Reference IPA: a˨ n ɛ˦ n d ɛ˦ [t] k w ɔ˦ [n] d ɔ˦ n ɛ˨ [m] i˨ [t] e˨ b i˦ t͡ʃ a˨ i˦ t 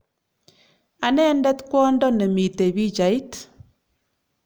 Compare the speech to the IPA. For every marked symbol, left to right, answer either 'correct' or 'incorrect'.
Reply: correct, correct, correct, correct

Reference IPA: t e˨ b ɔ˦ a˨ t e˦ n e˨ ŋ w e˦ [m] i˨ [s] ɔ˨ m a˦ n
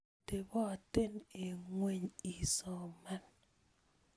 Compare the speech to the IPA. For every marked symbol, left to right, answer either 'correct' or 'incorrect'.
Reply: incorrect, correct

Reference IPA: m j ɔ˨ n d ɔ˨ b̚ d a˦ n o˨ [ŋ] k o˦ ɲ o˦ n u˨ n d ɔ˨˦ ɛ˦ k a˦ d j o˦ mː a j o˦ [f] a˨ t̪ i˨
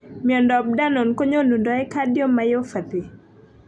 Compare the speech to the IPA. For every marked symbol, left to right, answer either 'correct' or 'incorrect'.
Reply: incorrect, correct

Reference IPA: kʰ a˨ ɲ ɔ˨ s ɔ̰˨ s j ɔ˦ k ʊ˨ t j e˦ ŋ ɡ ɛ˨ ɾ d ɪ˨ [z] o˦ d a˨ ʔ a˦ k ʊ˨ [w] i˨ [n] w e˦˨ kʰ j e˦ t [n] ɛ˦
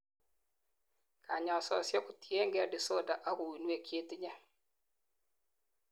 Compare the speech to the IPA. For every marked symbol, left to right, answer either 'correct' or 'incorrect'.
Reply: incorrect, correct, correct, incorrect

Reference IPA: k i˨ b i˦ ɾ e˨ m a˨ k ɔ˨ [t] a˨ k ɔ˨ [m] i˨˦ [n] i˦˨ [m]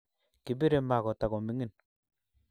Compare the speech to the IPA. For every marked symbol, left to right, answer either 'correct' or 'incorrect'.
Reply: correct, correct, incorrect, incorrect

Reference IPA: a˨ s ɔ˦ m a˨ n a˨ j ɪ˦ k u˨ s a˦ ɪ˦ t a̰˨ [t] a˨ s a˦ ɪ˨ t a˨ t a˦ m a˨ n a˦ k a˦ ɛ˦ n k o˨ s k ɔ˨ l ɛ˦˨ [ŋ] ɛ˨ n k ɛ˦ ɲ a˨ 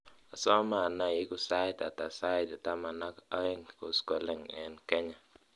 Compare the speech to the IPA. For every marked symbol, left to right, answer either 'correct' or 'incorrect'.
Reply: correct, correct

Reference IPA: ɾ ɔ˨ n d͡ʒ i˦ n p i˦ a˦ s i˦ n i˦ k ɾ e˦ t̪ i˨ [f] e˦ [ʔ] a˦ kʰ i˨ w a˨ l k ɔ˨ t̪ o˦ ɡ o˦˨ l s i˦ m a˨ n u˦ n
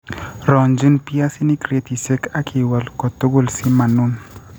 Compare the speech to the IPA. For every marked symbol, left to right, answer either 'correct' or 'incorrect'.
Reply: incorrect, incorrect

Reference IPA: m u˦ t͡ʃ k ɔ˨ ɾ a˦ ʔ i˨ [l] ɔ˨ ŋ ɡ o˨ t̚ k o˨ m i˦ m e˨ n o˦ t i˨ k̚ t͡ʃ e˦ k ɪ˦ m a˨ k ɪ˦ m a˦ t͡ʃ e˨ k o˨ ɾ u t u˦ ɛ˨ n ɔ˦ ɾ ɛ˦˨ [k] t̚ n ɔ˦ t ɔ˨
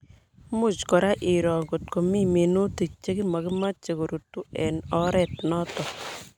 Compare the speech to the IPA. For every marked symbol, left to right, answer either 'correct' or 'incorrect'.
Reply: incorrect, incorrect

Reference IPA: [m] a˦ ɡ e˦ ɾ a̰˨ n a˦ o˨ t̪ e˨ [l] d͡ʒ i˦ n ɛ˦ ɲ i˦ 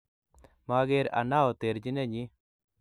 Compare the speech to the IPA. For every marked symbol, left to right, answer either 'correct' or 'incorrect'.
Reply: correct, incorrect

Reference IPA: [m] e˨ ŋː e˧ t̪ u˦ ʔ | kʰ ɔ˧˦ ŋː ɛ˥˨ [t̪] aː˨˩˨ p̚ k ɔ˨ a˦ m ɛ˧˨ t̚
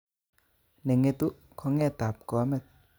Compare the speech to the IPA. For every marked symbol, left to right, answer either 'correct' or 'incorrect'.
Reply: incorrect, correct

